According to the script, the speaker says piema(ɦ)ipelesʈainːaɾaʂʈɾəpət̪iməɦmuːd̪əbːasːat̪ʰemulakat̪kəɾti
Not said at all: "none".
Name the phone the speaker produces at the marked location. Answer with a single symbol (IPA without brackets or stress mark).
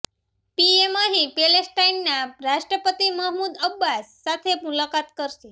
ɦ